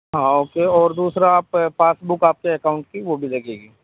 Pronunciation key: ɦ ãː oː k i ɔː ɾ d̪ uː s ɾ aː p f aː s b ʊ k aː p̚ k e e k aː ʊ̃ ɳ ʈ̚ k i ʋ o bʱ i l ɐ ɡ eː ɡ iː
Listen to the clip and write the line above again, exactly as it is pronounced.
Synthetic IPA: ɦ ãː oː k e ɔː ɾ d̪ uː s ɾ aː p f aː s b ʊ k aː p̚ k e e k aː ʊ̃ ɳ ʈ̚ k i ʋ o bʱ i l ɐ ɡ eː ɡ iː